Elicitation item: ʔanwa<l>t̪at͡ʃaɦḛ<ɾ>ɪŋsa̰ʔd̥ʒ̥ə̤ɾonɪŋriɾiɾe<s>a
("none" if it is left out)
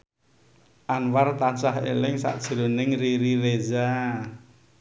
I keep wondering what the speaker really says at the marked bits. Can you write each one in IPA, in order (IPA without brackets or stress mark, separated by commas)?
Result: r, l, z